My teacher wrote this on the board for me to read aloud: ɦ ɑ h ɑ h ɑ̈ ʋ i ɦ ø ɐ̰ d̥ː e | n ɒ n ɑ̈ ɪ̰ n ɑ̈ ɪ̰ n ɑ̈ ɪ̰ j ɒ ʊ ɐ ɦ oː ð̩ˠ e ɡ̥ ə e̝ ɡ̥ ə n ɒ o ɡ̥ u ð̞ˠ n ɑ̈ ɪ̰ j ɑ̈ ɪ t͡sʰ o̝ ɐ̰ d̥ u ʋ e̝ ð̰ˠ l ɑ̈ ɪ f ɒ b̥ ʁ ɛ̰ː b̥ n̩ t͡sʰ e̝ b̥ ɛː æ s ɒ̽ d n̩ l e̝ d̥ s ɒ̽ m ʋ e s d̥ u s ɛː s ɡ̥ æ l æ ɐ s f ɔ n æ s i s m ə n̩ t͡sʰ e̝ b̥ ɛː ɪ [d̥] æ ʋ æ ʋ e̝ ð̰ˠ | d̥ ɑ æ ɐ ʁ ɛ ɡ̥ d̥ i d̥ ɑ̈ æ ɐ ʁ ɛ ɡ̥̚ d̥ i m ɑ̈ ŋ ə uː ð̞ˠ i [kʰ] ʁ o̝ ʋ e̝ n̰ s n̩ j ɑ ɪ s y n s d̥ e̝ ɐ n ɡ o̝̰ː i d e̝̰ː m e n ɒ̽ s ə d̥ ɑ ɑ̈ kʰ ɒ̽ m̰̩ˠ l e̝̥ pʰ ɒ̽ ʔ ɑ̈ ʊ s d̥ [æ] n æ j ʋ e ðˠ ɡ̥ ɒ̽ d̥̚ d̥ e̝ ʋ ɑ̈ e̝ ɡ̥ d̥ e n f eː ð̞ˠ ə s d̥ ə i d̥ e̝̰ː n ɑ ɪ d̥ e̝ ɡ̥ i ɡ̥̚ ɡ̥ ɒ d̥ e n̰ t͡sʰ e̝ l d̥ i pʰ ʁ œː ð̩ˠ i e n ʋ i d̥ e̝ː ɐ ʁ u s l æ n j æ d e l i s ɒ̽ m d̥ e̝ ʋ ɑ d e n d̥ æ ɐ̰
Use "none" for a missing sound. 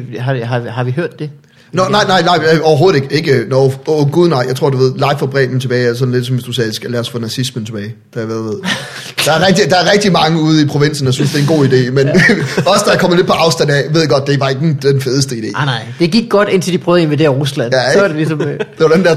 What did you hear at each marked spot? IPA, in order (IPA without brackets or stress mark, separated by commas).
d̥, pʰ, æ